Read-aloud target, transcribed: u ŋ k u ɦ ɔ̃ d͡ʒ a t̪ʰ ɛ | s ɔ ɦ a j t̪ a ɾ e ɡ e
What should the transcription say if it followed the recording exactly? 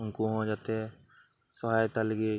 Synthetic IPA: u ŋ k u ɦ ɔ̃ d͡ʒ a t̪ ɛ | s ɔ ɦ a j t̪ a l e ɡ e